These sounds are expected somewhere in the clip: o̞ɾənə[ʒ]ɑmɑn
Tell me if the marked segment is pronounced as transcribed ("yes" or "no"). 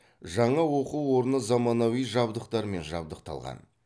no